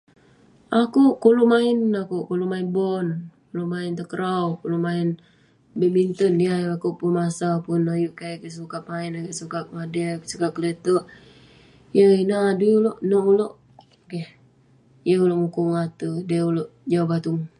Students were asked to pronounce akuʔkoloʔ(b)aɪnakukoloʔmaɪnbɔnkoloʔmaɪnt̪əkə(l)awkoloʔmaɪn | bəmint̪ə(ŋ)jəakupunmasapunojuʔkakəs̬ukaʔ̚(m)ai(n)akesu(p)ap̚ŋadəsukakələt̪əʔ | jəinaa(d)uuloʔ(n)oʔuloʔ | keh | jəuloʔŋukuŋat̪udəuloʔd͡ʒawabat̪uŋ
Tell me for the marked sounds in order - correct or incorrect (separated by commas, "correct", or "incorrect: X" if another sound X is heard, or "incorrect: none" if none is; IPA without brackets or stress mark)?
incorrect: m, incorrect: ɾ, incorrect: n, correct, correct, incorrect: k, correct, correct